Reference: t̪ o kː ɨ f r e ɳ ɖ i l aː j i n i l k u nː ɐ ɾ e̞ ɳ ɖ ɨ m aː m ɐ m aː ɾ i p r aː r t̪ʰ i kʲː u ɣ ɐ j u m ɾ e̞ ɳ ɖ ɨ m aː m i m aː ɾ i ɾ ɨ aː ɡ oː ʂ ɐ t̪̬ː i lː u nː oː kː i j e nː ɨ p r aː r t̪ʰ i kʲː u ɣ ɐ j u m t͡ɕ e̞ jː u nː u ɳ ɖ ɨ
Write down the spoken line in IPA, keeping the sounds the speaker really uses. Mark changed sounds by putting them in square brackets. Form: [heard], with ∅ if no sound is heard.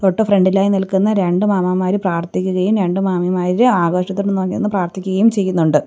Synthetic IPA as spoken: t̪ o [ʈː] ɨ f r e ɳ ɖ i l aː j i n i l k u nː ɐ ɾ e̞ ɳ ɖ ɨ m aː m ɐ m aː ɾ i p r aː r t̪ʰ i kʲː u ɣ ɐ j u m ɾ e̞ ɳ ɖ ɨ m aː m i m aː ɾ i ɾ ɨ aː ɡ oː ʂ ɐ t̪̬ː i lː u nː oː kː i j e nː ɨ p r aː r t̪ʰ i kʲː u ɣ ɐ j u m t͡ɕ e̞ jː u nː u ɳ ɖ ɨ